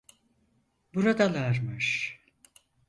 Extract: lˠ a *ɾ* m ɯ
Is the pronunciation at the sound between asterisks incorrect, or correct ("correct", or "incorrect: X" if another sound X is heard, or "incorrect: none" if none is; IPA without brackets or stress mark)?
correct